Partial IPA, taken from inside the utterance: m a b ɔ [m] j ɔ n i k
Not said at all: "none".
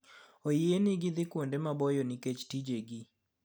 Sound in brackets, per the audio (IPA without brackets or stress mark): none